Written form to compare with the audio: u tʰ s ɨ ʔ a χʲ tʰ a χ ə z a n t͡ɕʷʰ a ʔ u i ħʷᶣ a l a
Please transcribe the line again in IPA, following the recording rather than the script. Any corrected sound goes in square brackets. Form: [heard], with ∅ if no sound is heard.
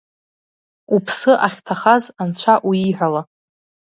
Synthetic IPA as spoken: u [pʰ] s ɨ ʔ a χʲ tʰ a χ [a] z a n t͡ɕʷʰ a ʔ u i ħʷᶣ a l a